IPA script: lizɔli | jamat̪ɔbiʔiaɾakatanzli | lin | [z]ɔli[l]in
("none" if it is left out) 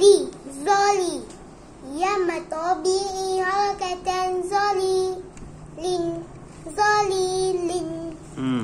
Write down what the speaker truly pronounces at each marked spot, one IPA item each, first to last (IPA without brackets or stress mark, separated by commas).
z, l